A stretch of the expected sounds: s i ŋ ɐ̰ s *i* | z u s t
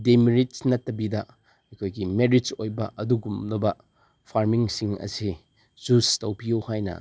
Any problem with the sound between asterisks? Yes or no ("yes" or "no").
no